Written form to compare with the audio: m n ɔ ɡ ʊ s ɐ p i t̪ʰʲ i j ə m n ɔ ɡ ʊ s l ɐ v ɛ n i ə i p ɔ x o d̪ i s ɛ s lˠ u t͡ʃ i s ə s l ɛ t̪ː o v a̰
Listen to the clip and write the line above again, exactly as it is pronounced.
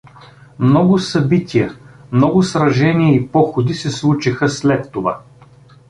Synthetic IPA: m n ɔ ɡ ʊ s ɐ b i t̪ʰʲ i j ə m n ɔ ɡ ʊ s ɾ ɐ ʒ ɛ n i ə i p ɔ x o d̪ i s ɛ s lˠ u t͡ʃ i x ə s l ɛ t̪ː o v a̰